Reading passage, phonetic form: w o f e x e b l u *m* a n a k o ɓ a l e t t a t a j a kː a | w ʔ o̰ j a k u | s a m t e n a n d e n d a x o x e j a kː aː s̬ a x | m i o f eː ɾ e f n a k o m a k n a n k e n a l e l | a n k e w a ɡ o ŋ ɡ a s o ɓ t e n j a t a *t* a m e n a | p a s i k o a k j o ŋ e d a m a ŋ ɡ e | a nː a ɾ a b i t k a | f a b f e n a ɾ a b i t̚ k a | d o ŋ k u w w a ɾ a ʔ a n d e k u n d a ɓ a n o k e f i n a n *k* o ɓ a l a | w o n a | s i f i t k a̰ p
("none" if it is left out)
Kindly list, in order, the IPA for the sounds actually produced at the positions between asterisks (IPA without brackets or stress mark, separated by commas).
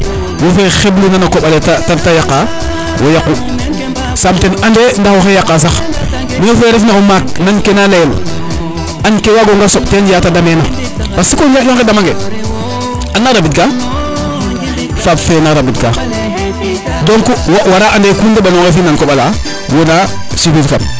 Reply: n, d, k